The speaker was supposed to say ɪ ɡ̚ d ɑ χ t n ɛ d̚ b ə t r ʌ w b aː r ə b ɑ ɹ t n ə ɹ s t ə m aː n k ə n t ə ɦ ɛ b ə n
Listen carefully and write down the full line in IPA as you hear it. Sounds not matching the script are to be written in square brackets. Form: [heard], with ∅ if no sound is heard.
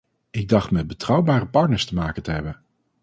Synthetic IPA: ɪ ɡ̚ d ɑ χ t [m] ɛ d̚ b ə t r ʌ w b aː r ə [p] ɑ ɹ t n ə ɹ s t ə m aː [∅] k ə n t ə ɦ ɛ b ə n